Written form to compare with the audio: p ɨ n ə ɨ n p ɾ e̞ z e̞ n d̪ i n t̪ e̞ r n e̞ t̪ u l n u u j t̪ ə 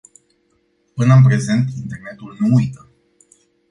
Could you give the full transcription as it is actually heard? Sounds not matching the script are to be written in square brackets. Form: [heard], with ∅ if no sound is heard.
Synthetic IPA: p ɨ n ə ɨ n p ɾ e̞ z e̞ n [t̪] i n t̪ e̞ r n e̞ t̪ u l n u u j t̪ ə